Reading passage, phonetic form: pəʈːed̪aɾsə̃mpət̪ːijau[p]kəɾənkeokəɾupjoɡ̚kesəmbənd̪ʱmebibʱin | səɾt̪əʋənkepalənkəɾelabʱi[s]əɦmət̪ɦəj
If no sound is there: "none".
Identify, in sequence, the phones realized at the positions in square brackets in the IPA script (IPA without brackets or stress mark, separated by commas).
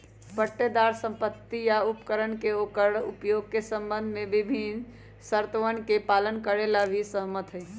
p, s